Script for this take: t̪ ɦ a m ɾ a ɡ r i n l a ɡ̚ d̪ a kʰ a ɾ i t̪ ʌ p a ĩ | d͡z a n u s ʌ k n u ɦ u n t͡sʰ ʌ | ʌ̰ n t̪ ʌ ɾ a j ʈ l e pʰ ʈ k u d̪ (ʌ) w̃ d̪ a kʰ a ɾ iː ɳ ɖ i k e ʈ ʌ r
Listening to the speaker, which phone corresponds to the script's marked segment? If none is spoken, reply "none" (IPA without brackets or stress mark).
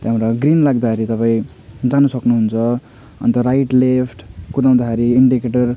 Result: a